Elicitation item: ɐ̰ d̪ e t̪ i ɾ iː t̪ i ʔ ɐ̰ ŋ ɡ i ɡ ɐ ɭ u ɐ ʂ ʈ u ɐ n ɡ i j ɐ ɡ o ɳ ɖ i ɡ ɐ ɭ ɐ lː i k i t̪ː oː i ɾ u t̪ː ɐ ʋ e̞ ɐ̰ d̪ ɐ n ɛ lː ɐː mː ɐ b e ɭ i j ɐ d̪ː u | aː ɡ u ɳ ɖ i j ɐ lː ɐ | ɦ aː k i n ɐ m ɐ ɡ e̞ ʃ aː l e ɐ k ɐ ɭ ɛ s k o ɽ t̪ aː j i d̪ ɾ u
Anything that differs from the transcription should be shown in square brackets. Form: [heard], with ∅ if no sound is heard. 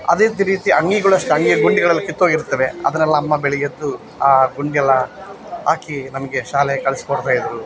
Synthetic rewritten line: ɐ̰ d̪ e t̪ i ɾ iː t̪ i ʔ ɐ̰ ŋ ɡ i ɡ ɐ ɭ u ɐ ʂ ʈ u ɐ [ŋ] ɡ i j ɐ ɡ [u] ɳ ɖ i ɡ ɐ ɭ ɐ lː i k i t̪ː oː i ɾ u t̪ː ɐ ʋ e̞ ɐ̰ d̪ ɐ n ɛ lː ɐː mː ɐ b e ɭ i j ɐ d̪ː u | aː ɡ u ɳ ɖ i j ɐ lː ɐ | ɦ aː k i n ɐ m ɐ ɡ e̞ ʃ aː l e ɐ k ɐ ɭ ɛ s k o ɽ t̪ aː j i d̪ ɾ u